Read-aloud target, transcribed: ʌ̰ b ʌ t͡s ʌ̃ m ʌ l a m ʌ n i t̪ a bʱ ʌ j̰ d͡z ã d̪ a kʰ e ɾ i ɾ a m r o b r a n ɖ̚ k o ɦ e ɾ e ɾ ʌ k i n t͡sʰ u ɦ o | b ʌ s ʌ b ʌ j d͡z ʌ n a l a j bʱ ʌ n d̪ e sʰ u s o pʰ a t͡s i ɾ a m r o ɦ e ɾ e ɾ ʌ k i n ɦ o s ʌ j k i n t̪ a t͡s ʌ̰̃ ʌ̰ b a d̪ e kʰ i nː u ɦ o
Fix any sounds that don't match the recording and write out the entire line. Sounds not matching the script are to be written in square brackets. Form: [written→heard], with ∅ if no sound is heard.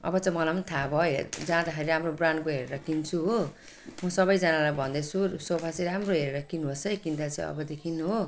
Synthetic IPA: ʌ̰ b ʌ t͡s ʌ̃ m ʌ l a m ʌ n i [t̪→t̪ʰ] a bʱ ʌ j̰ d͡z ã d̪ a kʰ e ɾ i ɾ a m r o b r a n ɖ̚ k o ɦ e ɾ e ɾ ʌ k i n t͡sʰ u ɦ o | [b→m] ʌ s ʌ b ʌ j d͡z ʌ n a l a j bʱ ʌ n d̪ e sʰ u s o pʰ a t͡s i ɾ a m r o ɦ e ɾ e ɾ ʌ k i n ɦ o s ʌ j k i n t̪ a t͡s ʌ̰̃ ʌ̰ b [a→ʌ] d̪ e kʰ i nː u ɦ o